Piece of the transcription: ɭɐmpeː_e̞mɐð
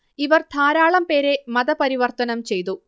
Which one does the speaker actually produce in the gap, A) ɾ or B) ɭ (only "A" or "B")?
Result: A